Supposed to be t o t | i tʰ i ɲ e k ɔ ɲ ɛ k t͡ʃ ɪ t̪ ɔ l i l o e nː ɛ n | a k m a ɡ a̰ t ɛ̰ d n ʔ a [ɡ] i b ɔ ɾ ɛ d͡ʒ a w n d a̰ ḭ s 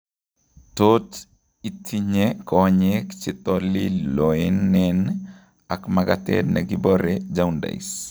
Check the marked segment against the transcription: correct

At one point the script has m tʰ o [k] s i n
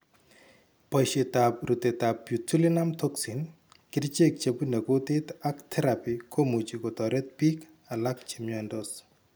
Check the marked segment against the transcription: correct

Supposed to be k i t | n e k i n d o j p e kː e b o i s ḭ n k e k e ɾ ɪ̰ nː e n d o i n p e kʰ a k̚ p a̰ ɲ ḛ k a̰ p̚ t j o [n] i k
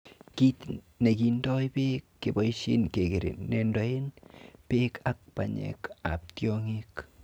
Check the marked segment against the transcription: incorrect: ŋ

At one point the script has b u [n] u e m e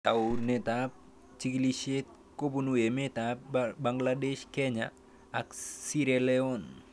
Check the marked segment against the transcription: correct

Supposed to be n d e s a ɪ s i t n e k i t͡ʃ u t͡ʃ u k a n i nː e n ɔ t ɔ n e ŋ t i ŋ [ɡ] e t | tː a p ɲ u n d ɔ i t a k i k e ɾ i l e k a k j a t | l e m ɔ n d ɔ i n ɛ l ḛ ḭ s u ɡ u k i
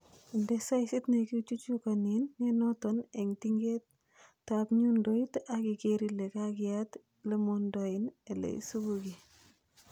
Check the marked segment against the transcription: correct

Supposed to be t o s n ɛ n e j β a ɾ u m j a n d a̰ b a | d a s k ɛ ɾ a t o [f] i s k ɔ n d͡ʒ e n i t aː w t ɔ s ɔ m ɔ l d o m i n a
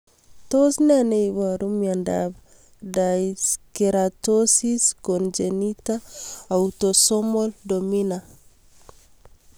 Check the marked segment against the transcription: incorrect: s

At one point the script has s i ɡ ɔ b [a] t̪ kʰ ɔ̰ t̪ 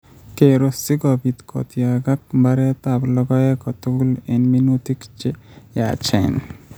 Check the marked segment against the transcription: incorrect: i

